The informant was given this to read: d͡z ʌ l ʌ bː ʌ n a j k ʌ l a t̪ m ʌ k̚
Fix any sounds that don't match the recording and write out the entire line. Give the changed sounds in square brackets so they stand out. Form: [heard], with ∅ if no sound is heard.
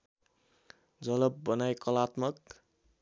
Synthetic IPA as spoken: d͡z ʌ l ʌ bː ʌ n a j k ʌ l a t̪ m ʌ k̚